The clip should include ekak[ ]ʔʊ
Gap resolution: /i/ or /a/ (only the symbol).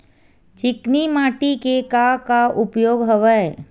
a